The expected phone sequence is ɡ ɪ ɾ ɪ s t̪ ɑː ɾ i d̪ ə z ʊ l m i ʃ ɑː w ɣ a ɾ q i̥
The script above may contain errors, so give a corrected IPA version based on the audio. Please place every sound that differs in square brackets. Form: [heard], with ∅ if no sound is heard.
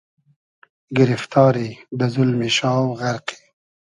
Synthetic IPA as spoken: ɡ ɪ ɾ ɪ [f] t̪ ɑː ɾ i d̪ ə z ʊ l m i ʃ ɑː w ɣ a ɾ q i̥